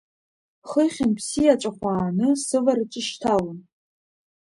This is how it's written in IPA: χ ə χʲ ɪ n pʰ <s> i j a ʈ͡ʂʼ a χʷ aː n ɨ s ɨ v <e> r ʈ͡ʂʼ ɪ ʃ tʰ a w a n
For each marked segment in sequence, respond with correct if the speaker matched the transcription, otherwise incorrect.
correct, incorrect

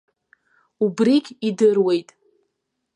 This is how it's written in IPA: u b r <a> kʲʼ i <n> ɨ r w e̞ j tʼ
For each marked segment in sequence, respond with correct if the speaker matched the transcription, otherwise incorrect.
incorrect, incorrect

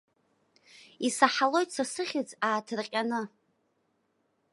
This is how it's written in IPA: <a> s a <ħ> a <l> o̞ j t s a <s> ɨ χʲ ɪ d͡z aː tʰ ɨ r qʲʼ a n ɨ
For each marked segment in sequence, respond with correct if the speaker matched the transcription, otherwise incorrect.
incorrect, correct, correct, correct

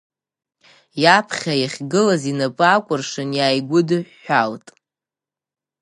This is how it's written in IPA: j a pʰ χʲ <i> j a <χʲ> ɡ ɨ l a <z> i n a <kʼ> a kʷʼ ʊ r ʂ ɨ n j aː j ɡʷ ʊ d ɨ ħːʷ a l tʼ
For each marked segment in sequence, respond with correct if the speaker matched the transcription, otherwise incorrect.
incorrect, correct, correct, incorrect

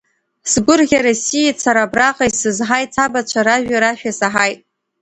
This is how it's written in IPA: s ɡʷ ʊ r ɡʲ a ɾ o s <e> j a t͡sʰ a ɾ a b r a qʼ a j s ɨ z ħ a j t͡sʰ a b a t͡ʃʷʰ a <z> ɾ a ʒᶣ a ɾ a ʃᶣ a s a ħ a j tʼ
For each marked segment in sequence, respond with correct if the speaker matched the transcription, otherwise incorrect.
incorrect, incorrect

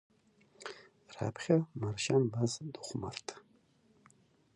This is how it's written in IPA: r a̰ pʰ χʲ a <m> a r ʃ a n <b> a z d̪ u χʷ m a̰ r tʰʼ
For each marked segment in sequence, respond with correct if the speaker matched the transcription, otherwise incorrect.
correct, correct

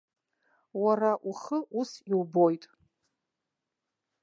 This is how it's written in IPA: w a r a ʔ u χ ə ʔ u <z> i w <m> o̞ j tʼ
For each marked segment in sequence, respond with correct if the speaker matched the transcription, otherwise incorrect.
incorrect, incorrect

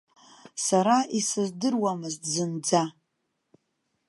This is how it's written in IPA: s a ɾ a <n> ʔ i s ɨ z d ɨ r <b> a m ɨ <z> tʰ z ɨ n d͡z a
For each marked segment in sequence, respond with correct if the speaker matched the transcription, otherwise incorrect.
incorrect, incorrect, correct

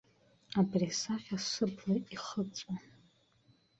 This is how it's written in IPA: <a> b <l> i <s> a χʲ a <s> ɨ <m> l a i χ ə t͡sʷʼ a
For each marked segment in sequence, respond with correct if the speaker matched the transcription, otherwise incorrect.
correct, incorrect, correct, correct, incorrect

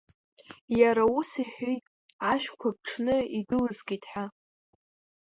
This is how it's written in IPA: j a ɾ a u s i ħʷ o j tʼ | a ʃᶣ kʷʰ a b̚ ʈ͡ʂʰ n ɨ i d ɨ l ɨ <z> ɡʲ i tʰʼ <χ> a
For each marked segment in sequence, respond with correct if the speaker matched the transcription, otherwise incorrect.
correct, incorrect

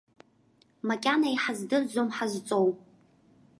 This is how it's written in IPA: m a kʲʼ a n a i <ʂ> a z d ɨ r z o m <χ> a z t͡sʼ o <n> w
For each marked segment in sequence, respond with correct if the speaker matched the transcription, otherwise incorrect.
incorrect, incorrect, incorrect

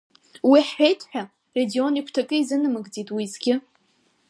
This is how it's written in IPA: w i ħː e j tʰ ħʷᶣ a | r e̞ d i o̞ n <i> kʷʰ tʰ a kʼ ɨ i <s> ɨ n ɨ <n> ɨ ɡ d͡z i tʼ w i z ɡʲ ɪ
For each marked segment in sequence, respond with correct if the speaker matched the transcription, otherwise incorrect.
correct, incorrect, incorrect

